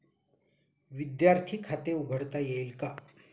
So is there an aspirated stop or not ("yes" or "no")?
yes